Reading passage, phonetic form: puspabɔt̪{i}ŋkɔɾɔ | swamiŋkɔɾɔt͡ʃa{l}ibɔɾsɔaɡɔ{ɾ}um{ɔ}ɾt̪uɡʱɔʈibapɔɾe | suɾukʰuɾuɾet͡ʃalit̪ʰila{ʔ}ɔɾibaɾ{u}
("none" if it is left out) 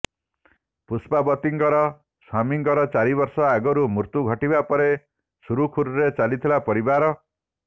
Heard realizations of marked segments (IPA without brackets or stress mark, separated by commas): i, ɾ, ɾ, u, p, ɔ